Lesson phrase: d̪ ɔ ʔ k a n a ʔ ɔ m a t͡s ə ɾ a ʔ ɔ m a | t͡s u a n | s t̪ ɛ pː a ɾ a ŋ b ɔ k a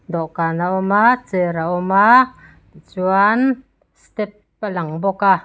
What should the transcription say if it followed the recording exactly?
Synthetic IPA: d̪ ɔ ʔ k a n a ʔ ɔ m a t͡s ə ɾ a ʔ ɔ m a | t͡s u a n | s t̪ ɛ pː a l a ŋ b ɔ k a